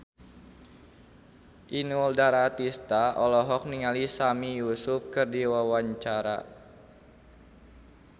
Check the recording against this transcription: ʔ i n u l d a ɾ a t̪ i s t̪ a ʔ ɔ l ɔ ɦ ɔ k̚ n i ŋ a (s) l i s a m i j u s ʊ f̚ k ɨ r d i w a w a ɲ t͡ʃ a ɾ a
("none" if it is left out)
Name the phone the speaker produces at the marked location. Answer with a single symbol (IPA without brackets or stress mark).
none